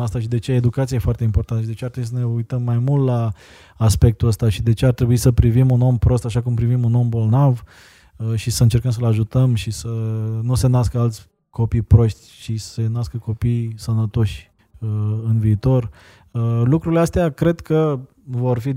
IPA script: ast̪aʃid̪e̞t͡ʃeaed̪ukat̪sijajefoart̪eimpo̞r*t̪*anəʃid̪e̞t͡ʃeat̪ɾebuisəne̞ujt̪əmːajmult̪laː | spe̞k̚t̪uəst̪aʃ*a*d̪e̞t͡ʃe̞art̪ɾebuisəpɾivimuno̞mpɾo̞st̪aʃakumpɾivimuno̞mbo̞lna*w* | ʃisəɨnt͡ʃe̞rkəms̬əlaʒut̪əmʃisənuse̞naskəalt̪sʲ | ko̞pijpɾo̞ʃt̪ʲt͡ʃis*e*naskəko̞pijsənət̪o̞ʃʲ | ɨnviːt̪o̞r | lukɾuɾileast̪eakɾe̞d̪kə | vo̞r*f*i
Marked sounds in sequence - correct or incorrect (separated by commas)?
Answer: correct, incorrect, incorrect, correct, correct